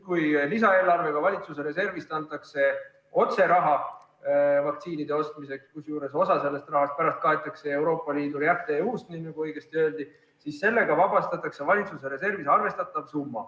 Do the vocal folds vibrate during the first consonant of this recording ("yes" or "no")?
no